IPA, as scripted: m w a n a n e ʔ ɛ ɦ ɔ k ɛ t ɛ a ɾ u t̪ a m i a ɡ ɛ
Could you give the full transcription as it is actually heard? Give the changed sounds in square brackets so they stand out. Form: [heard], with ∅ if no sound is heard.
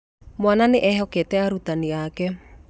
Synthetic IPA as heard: m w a n a n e ʔ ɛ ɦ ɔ k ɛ t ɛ a ɾ u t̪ a [n] i a [k] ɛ